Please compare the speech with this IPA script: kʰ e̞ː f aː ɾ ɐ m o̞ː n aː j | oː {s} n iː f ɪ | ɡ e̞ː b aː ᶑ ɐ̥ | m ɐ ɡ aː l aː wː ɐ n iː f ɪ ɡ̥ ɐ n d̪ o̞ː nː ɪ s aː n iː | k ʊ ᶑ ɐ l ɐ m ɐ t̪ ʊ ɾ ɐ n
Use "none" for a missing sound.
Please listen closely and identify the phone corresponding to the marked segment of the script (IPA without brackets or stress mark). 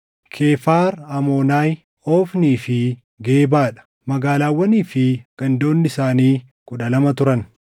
f